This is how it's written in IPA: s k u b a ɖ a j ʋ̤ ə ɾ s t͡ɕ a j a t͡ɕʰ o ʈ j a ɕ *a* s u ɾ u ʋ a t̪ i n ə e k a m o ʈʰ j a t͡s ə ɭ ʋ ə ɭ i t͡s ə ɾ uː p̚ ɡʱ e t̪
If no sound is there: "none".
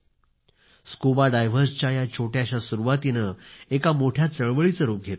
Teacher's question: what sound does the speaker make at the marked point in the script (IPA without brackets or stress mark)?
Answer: a